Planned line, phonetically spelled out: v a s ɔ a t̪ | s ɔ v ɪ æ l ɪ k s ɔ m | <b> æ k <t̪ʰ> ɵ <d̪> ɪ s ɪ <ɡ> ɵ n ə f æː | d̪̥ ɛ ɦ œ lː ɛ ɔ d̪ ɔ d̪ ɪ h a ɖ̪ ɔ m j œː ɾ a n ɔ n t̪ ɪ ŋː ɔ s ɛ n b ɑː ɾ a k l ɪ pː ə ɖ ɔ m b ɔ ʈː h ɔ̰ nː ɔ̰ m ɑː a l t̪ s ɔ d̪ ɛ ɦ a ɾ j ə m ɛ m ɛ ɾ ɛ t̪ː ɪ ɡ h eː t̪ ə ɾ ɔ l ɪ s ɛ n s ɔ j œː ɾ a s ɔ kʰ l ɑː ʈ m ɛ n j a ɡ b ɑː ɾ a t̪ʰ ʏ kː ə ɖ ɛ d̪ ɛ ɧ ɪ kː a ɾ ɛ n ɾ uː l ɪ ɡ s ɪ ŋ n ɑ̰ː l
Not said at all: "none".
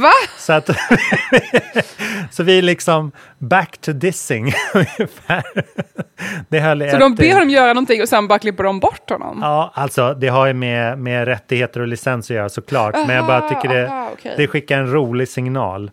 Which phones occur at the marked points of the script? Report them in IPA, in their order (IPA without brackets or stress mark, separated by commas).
b, t̪ʰ, d̪, ŋ